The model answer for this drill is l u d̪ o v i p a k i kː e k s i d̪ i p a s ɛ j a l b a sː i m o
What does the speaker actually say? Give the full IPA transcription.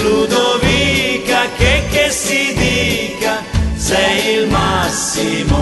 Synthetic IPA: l u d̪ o v i k a k e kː e s i d̪ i k a s ɛ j i l m a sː i m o

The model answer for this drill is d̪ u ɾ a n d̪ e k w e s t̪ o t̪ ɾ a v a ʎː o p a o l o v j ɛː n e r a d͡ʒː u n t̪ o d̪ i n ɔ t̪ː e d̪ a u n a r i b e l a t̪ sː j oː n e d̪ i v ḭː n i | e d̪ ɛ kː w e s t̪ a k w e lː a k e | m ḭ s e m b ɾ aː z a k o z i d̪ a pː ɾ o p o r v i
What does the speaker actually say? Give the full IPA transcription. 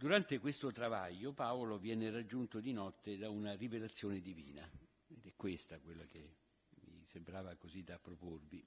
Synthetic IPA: d̪ u ɾ a n t̪ e k w e s t̪ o t̪ ɾ a v a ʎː o p a o l o v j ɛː n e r a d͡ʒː u n t̪ o d̪ i n ɔ t̪ː e d̪ a u n a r i v e l a t̪ sː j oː n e d̪ i v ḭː n a | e d̪ ɛ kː w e s t̪ a k w e lː a k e | m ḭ s e m b ɾ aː v a k o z i d̪ a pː ɾ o p o r v i

